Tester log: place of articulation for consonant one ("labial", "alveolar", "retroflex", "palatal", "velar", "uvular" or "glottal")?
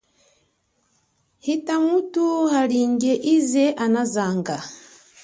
glottal